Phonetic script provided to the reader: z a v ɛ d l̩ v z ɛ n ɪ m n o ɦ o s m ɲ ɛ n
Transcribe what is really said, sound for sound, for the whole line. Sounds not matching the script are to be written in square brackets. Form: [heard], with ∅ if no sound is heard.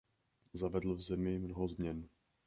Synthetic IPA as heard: z a v ɛ d l̩ v z ɛ [m] ɪ m n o ɦ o [z] m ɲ ɛ n